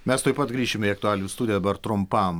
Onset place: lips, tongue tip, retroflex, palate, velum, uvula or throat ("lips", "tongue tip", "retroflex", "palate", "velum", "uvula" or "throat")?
lips